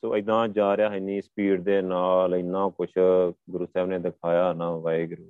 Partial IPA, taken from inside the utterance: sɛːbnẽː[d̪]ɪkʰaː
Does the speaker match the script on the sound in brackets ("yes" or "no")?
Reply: yes